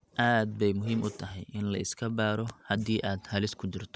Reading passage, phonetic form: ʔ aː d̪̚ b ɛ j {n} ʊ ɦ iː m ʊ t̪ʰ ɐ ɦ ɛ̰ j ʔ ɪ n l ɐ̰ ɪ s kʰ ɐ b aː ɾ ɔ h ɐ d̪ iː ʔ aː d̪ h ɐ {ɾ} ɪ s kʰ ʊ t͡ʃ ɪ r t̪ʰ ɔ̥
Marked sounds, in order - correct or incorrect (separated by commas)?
incorrect, incorrect